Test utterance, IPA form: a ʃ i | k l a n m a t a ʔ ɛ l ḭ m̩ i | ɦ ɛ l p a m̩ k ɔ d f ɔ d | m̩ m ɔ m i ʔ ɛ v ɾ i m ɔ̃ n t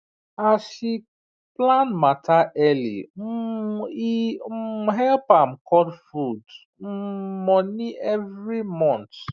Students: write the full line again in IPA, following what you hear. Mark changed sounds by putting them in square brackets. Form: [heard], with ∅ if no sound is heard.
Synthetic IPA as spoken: a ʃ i | [p] l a n m a t a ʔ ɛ l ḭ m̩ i | ɦ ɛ l p a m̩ k ɔ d f [u] d | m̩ m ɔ [n] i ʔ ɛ v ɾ i m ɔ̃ n t